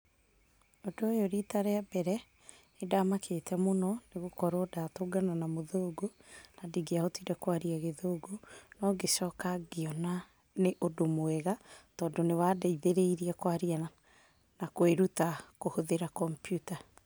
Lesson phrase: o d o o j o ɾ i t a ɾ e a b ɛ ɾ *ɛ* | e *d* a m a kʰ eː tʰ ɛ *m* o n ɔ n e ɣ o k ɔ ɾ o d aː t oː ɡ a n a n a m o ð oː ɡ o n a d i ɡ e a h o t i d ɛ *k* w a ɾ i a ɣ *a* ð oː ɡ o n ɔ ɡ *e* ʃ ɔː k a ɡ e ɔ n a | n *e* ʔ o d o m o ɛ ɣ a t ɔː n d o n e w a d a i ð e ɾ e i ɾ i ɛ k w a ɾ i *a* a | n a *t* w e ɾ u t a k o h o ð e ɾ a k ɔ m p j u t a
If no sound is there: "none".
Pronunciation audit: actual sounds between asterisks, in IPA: ɛ, d, m, k, e, e, e, a, k

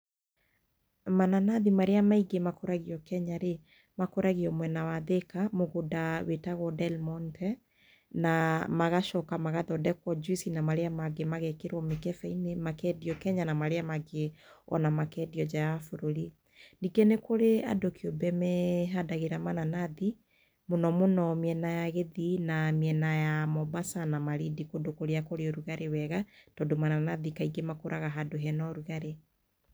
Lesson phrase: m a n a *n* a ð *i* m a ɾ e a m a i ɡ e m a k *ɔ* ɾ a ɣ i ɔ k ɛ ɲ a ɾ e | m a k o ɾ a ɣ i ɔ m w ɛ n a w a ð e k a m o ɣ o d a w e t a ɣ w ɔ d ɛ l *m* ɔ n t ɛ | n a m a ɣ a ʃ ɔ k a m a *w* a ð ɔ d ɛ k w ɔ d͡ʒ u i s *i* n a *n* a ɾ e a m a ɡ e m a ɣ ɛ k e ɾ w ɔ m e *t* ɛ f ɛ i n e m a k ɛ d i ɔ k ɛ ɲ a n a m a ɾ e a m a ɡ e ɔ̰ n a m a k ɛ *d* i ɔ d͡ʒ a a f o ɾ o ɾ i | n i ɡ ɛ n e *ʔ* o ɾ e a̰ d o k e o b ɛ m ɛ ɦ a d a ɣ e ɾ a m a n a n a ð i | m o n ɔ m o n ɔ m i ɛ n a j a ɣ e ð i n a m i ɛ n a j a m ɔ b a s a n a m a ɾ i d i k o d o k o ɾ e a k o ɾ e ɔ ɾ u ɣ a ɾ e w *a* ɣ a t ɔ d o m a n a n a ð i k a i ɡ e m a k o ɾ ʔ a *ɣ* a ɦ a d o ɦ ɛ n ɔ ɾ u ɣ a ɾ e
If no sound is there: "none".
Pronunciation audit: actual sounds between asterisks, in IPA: n, i, o, m, ɣ, i, m, k, d, k, ɛ, ɣ

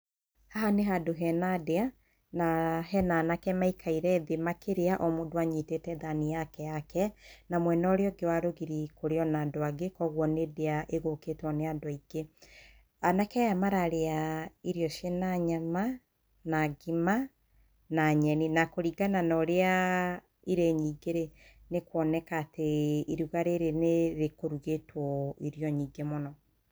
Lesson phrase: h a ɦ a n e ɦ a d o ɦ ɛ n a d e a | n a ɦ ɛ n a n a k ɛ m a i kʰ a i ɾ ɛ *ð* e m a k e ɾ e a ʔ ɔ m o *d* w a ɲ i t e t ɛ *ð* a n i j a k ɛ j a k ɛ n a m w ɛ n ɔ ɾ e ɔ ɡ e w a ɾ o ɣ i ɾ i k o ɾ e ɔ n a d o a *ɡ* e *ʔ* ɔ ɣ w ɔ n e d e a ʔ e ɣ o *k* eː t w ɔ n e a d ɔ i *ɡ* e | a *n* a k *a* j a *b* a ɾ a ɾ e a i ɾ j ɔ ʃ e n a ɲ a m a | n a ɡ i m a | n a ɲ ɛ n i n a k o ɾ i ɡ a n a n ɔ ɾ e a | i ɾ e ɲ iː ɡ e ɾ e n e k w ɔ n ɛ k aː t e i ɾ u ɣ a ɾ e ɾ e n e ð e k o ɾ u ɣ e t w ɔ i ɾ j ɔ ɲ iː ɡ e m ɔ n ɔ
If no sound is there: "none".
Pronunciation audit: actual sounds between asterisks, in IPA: ð, d, ð, ɡ, k, k, ɡ, n, ɛ, m

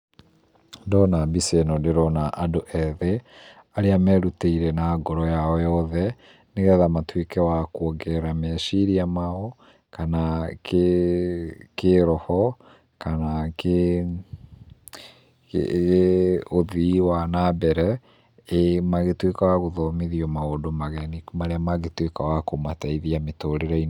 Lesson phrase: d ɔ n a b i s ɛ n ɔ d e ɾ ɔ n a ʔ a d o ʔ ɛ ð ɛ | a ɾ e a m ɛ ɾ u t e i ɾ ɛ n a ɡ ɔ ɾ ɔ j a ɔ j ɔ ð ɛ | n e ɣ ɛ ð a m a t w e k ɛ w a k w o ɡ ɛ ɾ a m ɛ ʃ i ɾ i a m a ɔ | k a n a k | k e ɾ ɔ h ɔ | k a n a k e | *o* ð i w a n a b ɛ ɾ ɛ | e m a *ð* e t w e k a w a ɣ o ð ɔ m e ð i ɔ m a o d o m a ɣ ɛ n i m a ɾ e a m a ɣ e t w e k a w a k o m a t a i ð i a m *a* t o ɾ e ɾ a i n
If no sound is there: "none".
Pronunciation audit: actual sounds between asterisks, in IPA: o, ɣ, e

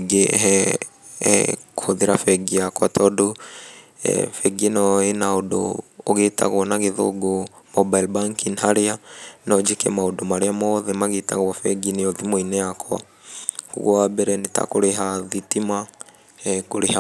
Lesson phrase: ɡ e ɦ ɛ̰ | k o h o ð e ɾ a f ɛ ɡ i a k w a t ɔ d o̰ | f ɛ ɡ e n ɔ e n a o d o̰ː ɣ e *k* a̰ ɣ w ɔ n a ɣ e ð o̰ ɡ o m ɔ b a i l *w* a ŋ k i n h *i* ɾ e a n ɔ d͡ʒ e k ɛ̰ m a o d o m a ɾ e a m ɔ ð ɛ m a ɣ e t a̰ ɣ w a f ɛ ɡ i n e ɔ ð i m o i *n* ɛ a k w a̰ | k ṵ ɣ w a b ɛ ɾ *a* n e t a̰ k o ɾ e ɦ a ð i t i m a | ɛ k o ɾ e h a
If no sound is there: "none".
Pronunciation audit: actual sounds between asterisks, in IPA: t, b, a, n, ɛ

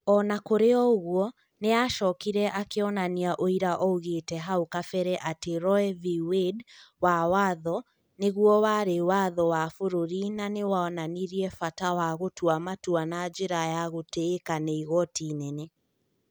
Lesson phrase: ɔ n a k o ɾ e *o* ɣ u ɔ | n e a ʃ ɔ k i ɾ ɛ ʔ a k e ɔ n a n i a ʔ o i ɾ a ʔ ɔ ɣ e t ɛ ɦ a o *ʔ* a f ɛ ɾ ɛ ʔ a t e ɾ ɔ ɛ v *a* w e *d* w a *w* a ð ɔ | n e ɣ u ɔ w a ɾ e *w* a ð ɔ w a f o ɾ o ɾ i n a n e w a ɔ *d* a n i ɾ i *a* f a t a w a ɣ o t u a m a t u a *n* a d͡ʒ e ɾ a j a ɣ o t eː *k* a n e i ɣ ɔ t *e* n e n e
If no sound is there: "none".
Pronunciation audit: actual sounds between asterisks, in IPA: ɔ, k, i, d, w, w, n, ɛ, n, k, i

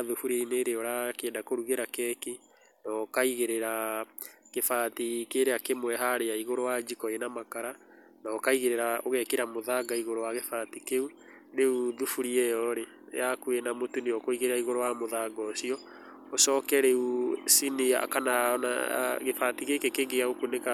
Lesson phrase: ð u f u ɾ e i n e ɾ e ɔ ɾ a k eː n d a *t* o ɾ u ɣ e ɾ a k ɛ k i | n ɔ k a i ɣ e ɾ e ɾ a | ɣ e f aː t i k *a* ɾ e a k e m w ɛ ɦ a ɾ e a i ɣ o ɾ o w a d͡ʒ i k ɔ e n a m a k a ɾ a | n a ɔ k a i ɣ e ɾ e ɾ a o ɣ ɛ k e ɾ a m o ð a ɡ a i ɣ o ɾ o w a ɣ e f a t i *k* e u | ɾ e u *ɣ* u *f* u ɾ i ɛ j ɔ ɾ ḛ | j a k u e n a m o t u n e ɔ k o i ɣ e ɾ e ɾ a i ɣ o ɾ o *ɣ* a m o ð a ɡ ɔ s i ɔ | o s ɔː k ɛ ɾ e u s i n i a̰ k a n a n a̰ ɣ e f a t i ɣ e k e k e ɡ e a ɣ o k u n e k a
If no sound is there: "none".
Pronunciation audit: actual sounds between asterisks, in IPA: k, e, k, ð, f, w

